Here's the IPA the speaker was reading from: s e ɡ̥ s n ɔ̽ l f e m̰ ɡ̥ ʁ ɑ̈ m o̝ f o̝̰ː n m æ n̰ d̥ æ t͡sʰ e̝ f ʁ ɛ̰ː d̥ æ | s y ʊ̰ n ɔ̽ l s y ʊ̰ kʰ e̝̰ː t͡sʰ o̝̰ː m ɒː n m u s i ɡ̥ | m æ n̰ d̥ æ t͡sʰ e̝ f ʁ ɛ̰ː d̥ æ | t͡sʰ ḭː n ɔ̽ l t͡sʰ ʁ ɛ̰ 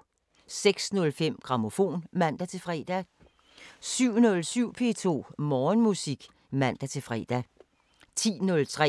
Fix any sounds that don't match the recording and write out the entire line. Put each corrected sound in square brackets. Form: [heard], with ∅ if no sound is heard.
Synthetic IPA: s e ɡ̥ s n ɔ̽ l f e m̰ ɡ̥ ʁ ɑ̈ m o̝ f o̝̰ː n m æ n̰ d̥ æ t͡sʰ e̝ f ʁ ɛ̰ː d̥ æ | s y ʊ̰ n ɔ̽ l s y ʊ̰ [pʰ] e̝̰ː t͡sʰ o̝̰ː m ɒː n m u s i ɡ̥ | m æ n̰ d̥ æ t͡sʰ e̝ f ʁ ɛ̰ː d̥ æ | t͡sʰ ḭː n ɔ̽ l t͡sʰ ʁ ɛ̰